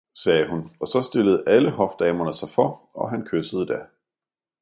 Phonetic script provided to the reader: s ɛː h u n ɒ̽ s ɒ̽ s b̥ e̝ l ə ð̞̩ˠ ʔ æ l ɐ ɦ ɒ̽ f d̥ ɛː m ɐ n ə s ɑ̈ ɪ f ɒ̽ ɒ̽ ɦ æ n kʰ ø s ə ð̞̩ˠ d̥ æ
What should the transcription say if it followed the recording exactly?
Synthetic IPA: s ɛː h u n ɒ̽ s ɒ̽ s d̥ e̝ l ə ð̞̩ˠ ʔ æ l ə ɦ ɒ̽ f d̥ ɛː m ɐ n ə s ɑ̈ ɪ f ɒ̽ ɒ̽ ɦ æ n kʰ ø s ə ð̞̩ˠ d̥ æ

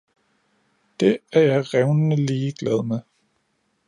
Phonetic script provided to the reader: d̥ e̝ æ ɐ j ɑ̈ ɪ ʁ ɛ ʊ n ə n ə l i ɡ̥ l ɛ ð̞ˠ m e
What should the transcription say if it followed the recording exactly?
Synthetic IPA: d̥ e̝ æ ɐ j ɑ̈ ɪ ʁ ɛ ʊ n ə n ə l iː ɡ̥ l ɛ ð̞ˠ m e

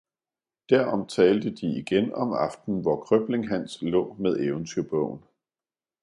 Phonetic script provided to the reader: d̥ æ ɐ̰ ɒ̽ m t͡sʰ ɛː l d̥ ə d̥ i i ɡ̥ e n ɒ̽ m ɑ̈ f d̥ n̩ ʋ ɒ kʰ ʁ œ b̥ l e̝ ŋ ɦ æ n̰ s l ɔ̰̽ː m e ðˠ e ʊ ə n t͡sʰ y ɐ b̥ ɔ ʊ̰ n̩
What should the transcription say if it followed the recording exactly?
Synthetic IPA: d̥ æ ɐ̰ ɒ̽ m t͡sʰ ɛː l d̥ ə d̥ i i ɡ̥ e n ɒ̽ m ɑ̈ f d̥ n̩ ʋ ɒ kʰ ʁ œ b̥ l e̝ ŋ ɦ æ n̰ s l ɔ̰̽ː m e ðˠ e ʊ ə n t͡sʰ y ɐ b̥ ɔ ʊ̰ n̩

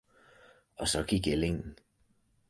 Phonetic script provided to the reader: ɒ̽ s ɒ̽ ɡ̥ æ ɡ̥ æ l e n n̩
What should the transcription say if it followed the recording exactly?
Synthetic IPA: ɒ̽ s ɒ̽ ɡ̥ i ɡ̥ e l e ŋ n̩

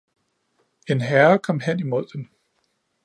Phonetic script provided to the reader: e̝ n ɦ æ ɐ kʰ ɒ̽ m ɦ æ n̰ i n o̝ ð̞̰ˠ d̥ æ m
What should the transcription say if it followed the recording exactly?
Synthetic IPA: e̝ n ɦ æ ɐ kʰ ɒ̽ m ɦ e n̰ i m o̝ ð̞̰ˠ d̥ e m

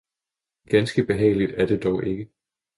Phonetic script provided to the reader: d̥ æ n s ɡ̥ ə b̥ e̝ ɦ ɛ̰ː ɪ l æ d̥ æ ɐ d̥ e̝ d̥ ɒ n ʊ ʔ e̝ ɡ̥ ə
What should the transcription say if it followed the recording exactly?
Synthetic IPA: ɡ̥ æ n s ɡ̥ ə b̥ e̝ ɦ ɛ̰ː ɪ l i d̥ æ ɐ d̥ e̝ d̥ ɒ ʊ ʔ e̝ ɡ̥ ə

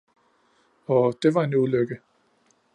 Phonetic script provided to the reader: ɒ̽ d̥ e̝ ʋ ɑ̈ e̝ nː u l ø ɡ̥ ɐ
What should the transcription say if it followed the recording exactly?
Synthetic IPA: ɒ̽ d̥ e̝ ʋ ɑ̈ e̝ n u l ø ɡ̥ ə

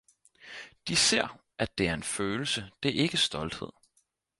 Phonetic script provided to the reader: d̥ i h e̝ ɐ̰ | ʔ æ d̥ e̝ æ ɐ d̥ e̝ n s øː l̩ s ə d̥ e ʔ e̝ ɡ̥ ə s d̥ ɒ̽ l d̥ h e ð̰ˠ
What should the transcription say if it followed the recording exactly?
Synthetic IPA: d̥ i s e̝ ɐ̰ | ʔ æ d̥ e̝ æ ɐ e̝ n f øː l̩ s ə d̥ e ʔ e̝ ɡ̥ ə s d̥ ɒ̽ l d̥ h e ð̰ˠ

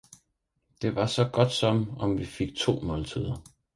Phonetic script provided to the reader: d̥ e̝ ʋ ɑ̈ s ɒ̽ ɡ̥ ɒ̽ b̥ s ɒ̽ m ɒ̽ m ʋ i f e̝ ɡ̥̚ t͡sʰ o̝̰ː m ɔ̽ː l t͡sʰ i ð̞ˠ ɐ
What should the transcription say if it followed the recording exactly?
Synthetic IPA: d̥ e̝ ʋ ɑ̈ s ɒ̽ ɡ̥ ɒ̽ d̥ s ɒ̽ m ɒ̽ m ʋ i f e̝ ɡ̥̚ t͡sʰ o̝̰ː m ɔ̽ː l t͡sʰ i ð̞ˠ ɐ

